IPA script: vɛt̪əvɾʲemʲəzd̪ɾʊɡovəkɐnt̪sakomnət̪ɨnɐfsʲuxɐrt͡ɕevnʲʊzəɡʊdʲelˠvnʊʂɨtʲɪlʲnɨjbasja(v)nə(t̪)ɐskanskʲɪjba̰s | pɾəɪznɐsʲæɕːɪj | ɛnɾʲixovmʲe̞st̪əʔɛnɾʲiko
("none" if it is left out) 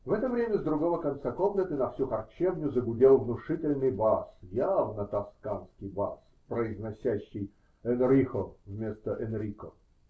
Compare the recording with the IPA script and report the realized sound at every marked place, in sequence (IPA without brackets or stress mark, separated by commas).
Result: v, t̪